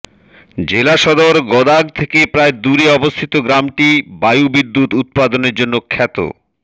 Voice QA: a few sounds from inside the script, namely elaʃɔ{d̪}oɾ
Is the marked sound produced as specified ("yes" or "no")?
yes